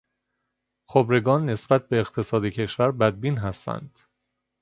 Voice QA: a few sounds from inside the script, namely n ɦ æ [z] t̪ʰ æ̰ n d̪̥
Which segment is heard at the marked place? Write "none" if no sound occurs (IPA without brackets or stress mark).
s